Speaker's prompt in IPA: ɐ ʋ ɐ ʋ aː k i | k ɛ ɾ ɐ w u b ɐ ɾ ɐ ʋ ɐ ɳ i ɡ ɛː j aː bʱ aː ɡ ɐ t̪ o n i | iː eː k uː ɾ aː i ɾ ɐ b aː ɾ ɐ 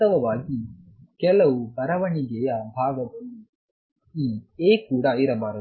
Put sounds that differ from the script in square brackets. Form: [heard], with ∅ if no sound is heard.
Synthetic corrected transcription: ɐ ʋ ɐ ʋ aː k i | k ɛ [l] ɐ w u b ɐ ɾ ɐ ʋ ɐ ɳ i ɡ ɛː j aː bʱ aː ɡ ɐ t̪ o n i | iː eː k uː [ɽ] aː i ɾ ɐ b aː ɾ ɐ

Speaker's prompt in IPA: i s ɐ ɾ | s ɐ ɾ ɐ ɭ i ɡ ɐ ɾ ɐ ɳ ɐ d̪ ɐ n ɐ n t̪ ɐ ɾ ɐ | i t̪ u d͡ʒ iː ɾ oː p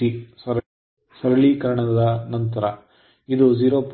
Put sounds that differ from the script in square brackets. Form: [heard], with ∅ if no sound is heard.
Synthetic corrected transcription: i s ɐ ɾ | s ɐ ɾ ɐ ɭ i [k] ɐ ɾ ɐ ɳ ɐ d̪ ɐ n ɐ n t̪ ɐ ɾ ɐ | i [d̪] u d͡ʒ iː ɾ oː p

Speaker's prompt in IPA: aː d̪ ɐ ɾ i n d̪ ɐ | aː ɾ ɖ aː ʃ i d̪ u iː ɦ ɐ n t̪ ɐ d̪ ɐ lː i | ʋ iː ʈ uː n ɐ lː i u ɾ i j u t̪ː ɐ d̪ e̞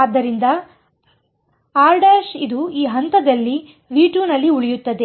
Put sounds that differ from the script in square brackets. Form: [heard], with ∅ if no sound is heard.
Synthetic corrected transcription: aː [d̪ː] ɐ ɾ i n d̪ ɐ | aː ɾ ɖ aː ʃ i d̪ u iː ɦ ɐ n t̪ ɐ d̪ ɐ lː i | ʋ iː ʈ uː n ɐ lː i u [ɭ] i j u t̪ː ɐ d̪ e̞

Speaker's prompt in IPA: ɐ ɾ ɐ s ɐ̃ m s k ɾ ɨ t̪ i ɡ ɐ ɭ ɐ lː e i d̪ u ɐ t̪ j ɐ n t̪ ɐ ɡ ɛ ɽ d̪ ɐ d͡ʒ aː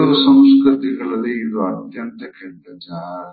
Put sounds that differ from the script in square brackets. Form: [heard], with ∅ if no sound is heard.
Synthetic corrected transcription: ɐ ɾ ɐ s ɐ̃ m s k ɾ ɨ t̪ i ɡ ɐ ɭ ɐ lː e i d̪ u ɐ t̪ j ɐ n t̪ ɐ [k] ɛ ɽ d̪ ɐ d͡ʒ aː

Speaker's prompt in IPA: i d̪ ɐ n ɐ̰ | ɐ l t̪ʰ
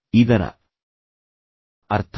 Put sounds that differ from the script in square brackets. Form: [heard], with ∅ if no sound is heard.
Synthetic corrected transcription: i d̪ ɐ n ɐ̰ | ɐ [ɾ] t̪ʰ

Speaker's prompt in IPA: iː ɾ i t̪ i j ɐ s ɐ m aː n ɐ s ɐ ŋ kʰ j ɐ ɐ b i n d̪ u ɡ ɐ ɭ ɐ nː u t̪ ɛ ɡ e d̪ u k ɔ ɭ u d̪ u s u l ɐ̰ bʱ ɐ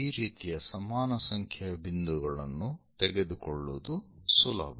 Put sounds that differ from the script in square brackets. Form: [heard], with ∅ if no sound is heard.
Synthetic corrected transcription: iː ɾ [iː] t̪ i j ɐ s ɐ m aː n ɐ s ɐ ŋ kʰ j ɐ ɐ b i n d̪ u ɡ ɐ ɭ ɐ nː u t̪ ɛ ɡ e d̪ u k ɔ [ɭː] u d̪ u s u l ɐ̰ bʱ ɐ

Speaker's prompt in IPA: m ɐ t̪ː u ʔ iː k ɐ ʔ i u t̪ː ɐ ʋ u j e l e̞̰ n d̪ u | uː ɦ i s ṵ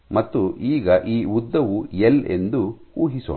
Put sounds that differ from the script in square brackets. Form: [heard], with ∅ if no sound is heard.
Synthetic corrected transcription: m ɐ t̪ː u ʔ iː [ɡ] ɐ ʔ [iː] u [d̪ː] ɐ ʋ u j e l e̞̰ n d̪ u | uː ɦ i s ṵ

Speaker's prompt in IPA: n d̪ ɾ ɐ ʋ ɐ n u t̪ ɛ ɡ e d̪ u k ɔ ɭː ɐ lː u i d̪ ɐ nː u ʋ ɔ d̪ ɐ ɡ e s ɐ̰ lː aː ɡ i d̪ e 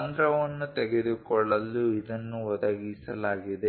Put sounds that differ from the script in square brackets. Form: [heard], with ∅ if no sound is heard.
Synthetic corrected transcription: n d̪ ɾ ɐ ʋ ɐ [nː] u t̪ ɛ ɡ e d̪ u k ɔ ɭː ɐ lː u i d̪ ɐ nː u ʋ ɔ d̪ ɐ ɡ [i] s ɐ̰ [l] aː ɡ i d̪ e

